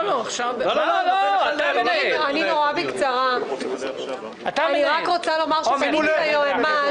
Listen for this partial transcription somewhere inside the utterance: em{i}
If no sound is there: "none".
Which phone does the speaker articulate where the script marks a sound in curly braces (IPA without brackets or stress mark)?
a